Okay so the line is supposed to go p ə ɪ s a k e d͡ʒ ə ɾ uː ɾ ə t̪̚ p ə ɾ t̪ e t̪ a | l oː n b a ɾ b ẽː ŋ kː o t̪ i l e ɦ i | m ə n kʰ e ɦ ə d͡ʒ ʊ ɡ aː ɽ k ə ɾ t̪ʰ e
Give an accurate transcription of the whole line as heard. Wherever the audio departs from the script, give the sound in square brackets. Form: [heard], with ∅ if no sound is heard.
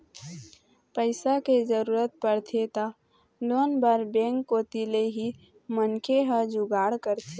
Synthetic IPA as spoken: p ə ɪ s a k e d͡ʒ ə ɾ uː ɾ ə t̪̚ p ə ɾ [t̪ʰ] e t̪ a | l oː n b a ɾ b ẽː ŋ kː o t̪ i l e ɦ i | m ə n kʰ e ɦ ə d͡ʒ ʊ ɡ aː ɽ k ə ɾ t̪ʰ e

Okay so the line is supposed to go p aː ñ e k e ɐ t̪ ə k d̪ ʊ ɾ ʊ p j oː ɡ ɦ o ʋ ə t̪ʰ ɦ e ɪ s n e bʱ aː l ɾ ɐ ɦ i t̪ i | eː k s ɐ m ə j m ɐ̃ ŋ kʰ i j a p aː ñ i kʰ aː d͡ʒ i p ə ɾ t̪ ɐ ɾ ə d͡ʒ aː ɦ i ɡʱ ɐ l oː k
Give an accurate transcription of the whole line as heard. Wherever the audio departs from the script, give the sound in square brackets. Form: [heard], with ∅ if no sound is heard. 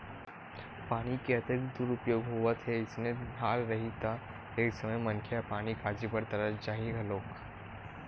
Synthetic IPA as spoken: p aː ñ [i] k e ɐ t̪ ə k d̪ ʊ ɾ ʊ p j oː ɡ ɦ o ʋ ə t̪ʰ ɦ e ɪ s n e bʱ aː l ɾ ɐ ɦ i t̪ [a] | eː k s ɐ m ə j m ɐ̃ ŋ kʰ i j a p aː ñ i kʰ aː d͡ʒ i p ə ɾ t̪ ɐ ɾ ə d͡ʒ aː ɦ i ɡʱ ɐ l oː k

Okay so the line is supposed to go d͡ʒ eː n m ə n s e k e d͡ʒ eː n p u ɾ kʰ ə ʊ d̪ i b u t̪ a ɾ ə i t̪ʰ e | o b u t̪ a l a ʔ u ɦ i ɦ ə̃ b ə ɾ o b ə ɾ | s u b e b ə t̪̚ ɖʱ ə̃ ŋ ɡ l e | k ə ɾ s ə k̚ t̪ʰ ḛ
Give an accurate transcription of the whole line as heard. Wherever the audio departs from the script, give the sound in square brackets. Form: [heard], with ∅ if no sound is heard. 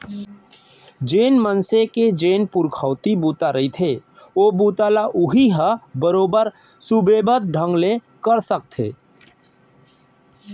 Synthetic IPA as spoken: d͡ʒ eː n m ə n s e k e d͡ʒ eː n p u ɾ kʰ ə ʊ [t̪] i b u t̪ a ɾ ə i t̪ʰ e | o b u t̪ a l a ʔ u ɦ i ɦ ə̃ b ə ɾ o b ə ɾ | s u b e b ə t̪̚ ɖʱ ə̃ ŋ ɡ l e | k ə ɾ s ə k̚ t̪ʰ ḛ

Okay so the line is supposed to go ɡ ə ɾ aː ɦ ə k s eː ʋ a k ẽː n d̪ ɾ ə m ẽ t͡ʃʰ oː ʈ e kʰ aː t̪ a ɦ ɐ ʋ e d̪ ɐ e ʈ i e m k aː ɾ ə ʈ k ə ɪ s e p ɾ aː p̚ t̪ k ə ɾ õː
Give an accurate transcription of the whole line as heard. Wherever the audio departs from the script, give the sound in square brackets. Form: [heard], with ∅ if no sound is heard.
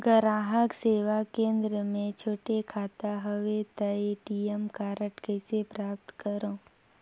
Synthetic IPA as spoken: ɡ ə ɾ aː ɦ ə k s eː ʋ a k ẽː n d̪ ɾ ə m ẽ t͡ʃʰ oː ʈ e kʰ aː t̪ a ɦ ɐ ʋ e [t̪] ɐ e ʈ i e m k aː ɾ ə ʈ k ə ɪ s e p ɾ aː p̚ t̪ k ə ɾ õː

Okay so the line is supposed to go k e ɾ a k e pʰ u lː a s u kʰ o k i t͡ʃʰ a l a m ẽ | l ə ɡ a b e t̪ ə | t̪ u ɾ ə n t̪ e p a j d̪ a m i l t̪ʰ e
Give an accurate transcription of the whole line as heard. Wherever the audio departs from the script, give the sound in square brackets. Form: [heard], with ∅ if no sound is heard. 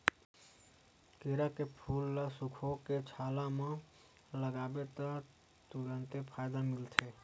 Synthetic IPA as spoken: k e ɾ a k e pʰ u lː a s u kʰ o k [e] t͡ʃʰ a l a m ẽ | l ə ɡ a b e t̪ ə | t̪ u ɾ ə n t̪ e [pʰ] a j d̪ a m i l t̪ʰ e

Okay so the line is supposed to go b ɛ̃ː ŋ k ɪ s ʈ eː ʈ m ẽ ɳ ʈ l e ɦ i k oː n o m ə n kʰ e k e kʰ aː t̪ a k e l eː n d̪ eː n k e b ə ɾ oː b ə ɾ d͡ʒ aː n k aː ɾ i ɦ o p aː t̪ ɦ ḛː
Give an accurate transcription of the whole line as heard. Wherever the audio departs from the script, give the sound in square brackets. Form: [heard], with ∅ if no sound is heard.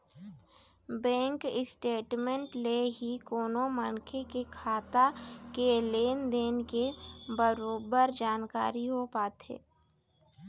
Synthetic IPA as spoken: b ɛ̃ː ŋ k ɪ s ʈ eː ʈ m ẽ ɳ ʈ l e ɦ i k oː n o m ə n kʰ e k e kʰ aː t̪ a k e l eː n d̪ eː n k e b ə ɾ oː b ə ɾ d͡ʒ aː n k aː ɾ i ɦ o p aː t̪ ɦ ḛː

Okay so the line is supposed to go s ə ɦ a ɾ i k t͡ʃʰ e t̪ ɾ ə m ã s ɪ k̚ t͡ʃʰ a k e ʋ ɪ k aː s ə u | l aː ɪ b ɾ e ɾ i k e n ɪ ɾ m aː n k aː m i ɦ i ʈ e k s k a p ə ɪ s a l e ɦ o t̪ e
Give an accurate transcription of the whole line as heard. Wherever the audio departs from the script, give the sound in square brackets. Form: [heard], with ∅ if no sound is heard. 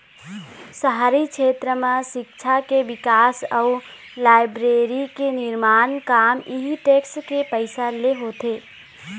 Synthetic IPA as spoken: s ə ɦ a ɾ i k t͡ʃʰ e t̪ ɾ ə m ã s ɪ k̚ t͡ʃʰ a k e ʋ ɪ k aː s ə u | l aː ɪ b ɾ e ɾ i k e n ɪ ɾ m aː n k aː m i ɦ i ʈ e k s k [e] p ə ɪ s a l e ɦ o t̪ e

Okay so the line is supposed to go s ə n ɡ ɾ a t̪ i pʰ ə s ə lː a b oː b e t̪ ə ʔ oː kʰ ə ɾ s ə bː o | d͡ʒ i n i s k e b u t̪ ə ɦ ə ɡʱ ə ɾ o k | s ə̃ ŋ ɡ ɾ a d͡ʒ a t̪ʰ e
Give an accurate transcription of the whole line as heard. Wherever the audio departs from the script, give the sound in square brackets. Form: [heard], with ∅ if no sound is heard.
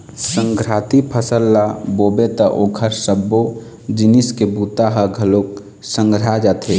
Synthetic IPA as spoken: s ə [ŋ] ɡ ɾ a t̪ i pʰ ə s ə lː a b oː b e t̪ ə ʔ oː kʰ ə ɾ s ə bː o | d͡ʒ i n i s k e b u t̪ [a] ɦ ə ɡʱ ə [l] o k | s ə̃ ŋ ɡ ɾ a d͡ʒ a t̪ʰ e

